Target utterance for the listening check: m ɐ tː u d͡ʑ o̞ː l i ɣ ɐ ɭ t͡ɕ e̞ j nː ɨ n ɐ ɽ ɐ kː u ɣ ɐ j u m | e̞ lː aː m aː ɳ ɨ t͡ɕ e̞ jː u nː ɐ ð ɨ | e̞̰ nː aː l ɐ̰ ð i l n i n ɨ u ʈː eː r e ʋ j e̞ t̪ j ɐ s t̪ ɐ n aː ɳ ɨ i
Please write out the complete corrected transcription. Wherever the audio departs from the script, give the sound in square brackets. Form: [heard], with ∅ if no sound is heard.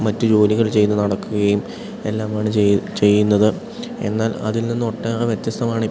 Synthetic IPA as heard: m ɐ tː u d͡ʑ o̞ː l i ɣ ɐ ɭ t͡ɕ e̞ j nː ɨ n ɐ ɽ ɐ kː u ɣ ɐ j u m | e̞ lː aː m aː ɳ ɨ t͡ɕ e̞ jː u nː ɐ ð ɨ | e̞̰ nː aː l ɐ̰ ð i l n i [nː] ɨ [o] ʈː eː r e ʋ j e̞ t̪ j ɐ s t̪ ɐ [m] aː ɳ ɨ i